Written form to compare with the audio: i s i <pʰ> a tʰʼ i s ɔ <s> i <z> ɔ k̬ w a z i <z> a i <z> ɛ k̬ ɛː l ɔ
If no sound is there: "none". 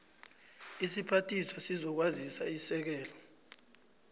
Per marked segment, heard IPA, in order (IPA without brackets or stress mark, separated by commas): pʰ, s, z, s, s